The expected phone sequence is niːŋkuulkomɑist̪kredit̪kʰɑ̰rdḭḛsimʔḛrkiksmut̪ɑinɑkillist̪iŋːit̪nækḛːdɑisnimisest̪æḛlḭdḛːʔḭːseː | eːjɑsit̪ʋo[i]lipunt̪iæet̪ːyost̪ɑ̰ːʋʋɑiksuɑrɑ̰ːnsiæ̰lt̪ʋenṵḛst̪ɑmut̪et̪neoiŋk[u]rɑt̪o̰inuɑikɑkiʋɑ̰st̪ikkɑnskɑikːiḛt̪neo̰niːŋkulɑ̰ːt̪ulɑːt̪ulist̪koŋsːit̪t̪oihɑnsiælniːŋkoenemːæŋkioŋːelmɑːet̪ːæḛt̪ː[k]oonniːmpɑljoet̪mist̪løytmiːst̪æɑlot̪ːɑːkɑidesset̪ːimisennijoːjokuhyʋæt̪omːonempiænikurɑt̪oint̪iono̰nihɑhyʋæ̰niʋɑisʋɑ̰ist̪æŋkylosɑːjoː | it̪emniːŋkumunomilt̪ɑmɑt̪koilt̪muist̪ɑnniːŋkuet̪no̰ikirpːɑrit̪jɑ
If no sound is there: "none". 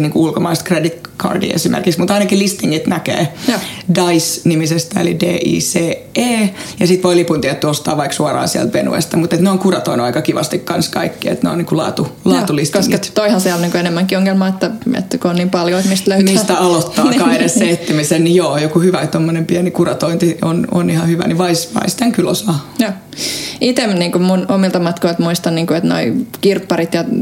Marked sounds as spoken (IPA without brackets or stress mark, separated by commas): i, u, k